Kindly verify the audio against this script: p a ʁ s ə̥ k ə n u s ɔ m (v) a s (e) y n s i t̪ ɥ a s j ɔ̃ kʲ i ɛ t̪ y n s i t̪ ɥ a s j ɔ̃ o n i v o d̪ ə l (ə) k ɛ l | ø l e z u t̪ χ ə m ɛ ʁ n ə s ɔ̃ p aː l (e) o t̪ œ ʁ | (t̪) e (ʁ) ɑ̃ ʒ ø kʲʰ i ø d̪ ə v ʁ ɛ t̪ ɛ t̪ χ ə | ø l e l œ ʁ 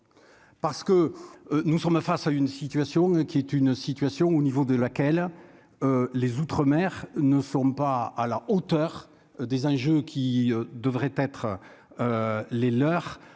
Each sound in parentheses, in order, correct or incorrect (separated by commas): incorrect, incorrect, incorrect, incorrect, incorrect, incorrect